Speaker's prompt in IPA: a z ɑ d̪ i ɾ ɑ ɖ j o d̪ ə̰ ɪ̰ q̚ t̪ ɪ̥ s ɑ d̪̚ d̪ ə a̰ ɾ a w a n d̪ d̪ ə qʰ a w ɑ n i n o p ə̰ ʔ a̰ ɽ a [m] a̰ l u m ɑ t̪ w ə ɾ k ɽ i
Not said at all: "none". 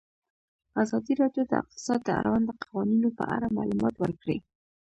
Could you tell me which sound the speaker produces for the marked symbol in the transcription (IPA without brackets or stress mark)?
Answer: m